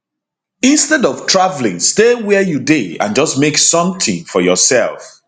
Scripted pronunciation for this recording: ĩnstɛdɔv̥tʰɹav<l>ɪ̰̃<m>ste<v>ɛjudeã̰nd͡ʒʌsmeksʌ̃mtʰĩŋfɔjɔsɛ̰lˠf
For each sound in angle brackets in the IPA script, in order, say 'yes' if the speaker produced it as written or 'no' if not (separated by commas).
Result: yes, no, no